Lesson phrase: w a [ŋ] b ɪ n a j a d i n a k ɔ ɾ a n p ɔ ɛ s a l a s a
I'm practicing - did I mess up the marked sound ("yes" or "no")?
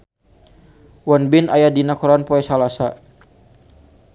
yes